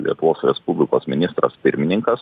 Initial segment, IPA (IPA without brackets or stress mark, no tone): lʲ